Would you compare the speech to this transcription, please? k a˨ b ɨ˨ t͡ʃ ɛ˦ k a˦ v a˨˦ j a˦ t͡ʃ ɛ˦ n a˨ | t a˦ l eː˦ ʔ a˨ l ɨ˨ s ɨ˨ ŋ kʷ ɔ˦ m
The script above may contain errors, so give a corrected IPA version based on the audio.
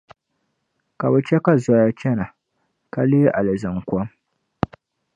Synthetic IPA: k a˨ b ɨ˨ t͡ʃ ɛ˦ k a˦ z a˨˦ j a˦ t͡ʃ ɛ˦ n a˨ | k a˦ l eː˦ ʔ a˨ l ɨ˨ z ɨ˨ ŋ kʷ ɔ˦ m